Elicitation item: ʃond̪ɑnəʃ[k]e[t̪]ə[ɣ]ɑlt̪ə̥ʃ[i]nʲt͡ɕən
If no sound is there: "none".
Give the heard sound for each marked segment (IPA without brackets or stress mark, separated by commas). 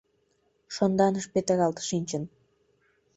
p, t̪, ɣ, i